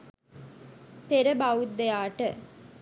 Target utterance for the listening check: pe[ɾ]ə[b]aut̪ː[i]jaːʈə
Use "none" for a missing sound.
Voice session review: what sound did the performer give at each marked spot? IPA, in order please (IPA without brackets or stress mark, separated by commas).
ɾ, b, e